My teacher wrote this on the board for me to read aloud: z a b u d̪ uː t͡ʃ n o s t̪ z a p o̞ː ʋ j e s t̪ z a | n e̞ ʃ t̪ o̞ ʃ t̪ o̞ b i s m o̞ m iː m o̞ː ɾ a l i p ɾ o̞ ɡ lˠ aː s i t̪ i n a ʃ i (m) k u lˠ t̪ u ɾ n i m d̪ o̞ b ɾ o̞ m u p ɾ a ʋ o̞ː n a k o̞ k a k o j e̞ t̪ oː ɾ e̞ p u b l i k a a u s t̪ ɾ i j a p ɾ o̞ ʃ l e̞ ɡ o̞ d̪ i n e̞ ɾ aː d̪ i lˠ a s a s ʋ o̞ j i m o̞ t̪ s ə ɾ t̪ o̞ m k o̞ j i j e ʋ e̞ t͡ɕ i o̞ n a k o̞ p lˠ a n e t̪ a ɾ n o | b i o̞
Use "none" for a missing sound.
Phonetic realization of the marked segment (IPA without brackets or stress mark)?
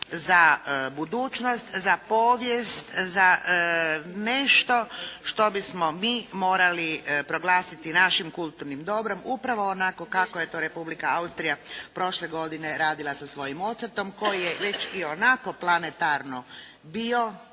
m